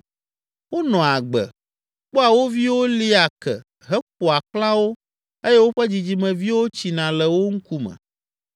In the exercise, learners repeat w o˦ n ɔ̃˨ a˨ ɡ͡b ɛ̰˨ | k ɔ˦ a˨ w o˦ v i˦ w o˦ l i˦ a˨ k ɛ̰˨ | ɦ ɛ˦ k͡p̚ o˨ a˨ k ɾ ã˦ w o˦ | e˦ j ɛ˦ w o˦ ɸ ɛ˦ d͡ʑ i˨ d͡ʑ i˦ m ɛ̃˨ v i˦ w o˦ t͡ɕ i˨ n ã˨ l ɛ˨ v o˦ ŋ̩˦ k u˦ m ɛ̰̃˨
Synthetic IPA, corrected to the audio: w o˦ n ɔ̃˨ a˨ ɡ͡b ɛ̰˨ | k͡p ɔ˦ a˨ w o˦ v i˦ w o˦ l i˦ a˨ k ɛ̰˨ | ɦ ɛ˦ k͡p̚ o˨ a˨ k l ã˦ w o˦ | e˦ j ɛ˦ w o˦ ɸ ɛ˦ d͡ʑ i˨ d͡ʑ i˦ m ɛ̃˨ v i˦ w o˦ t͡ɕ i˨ n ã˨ l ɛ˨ w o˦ ŋ̩˦ k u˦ m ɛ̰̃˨